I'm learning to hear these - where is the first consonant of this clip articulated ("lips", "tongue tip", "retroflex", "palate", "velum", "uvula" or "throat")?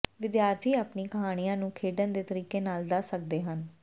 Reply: lips